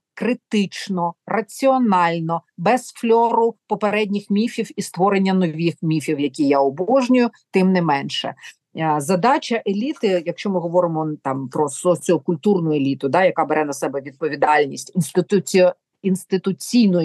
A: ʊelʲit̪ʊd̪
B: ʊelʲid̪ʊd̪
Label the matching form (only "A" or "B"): A